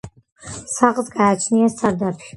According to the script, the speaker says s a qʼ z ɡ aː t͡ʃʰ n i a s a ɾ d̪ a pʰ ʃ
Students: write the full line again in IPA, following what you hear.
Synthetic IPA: s a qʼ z ɡ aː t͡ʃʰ n i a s a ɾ d̪ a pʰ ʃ